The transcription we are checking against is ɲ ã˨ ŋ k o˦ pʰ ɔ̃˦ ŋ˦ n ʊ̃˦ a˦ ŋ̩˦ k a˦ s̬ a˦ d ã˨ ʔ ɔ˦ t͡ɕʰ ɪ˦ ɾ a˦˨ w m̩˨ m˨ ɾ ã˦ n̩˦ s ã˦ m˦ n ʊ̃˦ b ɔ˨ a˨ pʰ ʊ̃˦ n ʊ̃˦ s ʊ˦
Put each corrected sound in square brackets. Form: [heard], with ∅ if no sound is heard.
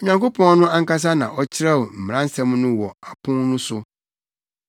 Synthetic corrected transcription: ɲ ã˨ ŋ k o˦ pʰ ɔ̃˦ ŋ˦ n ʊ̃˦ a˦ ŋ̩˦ k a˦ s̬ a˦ [n] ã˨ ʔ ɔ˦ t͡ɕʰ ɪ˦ ɾ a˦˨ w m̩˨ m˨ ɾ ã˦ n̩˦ s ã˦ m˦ n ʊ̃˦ [w] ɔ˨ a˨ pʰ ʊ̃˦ n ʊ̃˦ s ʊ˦